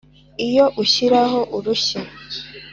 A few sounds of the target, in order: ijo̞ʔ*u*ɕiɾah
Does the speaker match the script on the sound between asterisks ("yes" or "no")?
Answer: yes